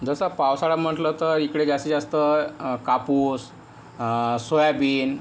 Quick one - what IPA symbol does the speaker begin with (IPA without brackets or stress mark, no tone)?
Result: d͡z